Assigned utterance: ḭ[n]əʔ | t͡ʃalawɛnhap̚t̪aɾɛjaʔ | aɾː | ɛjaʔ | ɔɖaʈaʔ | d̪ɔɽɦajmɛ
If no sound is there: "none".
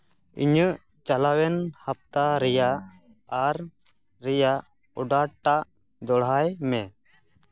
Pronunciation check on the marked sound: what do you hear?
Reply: ɲ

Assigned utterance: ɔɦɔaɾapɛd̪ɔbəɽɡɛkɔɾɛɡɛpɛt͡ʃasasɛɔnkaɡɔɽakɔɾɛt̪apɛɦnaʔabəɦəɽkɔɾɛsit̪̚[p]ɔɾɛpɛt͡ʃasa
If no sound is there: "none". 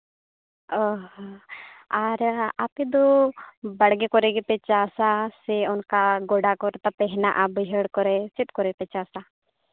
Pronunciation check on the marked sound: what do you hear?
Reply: k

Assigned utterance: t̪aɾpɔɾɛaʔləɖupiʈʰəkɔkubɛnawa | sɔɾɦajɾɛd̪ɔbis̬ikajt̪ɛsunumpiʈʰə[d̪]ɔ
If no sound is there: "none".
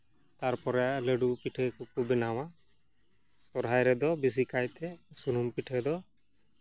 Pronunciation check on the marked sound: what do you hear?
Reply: d̪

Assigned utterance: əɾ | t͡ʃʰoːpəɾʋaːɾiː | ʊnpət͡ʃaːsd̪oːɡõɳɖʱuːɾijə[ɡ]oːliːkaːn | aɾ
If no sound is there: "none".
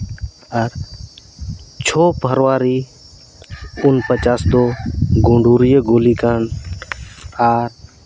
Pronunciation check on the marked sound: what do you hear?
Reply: ɡ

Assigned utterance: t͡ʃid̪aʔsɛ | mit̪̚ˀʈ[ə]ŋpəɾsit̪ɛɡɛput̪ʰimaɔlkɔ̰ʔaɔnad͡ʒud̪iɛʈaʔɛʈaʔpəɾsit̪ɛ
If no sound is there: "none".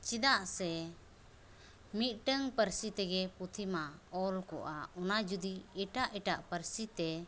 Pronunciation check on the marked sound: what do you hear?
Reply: ə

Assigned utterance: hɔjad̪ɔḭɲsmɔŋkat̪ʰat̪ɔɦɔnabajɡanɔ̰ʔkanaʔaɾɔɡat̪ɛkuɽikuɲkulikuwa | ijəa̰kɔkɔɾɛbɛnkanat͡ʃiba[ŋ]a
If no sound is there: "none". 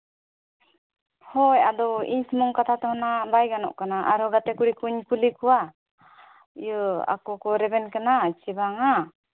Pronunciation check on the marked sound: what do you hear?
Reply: ŋ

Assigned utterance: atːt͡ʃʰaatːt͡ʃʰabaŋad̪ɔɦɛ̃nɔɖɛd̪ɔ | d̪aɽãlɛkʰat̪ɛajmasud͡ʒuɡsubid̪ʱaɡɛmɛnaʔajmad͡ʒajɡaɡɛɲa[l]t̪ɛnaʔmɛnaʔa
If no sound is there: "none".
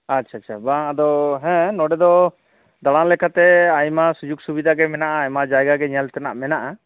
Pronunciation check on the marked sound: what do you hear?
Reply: l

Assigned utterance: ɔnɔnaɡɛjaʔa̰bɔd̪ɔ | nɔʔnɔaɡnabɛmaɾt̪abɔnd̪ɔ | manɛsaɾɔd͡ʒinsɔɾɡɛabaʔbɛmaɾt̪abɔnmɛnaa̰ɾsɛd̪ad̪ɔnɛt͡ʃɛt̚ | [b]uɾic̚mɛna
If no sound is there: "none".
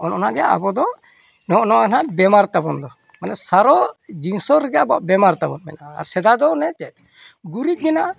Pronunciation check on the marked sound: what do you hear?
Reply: ɡ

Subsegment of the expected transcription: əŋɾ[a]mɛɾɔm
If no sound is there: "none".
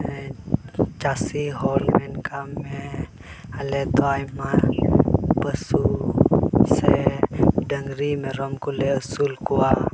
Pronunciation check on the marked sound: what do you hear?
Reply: i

